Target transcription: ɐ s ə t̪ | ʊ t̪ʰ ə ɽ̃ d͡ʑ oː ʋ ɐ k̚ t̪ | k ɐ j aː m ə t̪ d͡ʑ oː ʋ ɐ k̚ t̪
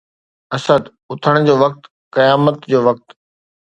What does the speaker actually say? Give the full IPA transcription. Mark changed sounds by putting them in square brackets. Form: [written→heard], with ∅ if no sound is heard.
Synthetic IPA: ɐ s ə [t̪→d̪] | ʊ t̪ʰ ə ɽ̃ d͡ʑ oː ʋ ɐ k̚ t̪ | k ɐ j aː m ə t̪ d͡ʑ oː ʋ ɐ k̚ t̪